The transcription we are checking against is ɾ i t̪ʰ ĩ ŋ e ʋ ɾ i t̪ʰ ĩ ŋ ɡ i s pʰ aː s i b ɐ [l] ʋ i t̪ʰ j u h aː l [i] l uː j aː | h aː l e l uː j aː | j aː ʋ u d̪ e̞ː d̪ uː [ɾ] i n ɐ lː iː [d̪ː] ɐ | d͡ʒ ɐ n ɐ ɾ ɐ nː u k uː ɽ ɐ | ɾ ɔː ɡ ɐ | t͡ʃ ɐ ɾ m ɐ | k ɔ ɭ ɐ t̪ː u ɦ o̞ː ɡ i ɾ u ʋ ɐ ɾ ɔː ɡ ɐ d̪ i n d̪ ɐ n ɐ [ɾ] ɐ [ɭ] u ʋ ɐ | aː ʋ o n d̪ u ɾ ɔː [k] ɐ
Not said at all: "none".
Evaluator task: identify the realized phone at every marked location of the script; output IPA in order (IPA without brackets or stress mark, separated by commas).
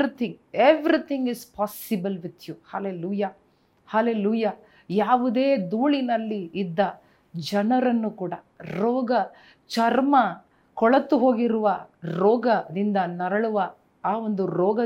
l, e, ɭ, d̪ː, ɾ, ɭ, ɡ